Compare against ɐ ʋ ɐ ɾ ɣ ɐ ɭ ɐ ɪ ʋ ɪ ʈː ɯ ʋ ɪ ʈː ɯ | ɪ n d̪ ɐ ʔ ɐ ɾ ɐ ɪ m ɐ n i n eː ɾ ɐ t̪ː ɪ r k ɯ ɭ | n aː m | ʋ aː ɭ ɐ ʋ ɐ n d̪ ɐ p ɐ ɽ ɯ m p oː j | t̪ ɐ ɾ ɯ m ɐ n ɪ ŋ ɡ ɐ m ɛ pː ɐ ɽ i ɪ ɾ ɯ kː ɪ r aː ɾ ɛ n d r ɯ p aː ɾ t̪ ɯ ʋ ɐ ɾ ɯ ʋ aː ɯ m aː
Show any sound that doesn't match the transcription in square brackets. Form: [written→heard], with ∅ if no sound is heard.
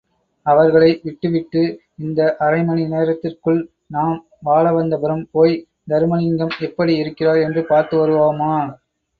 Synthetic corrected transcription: ɐ ʋ ɐ ɾ ɣ ɐ ɭ ɐ ɪ ʋ ɪ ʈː ɯ ʋ ɪ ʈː ɯ | ɪ n d̪ ɐ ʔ ɐ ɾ ɐ ɪ m ɐ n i n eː ɾ ɐ t̪ː ɪ r k ɯ ɭ | n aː m | ʋ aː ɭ ɐ ʋ ɐ n d̪ ɐ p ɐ [ɽ→ɾ] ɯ m p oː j | [t̪→d̪] ɐ ɾ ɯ m ɐ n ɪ ŋ ɡ ɐ m ɛ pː ɐ ɽ i ɪ ɾ ɯ kː ɪ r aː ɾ ɛ n d r ɯ p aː ɾ t̪ ɯ ʋ ɐ ɾ ɯ ʋ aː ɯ m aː